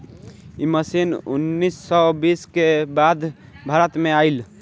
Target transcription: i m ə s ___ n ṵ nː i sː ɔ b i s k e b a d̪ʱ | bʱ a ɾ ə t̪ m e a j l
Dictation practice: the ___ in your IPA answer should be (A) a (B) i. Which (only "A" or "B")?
B